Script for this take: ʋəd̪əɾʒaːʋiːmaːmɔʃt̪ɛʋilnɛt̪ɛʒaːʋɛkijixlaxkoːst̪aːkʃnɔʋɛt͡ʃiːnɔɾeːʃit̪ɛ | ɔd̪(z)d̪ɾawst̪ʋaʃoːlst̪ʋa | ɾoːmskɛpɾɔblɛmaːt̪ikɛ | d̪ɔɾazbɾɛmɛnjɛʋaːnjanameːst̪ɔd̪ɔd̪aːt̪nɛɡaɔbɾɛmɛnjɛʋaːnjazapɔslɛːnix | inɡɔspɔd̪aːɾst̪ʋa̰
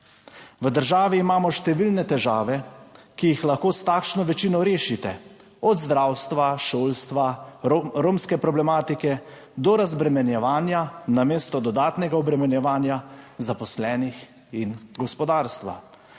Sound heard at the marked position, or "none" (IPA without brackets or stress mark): z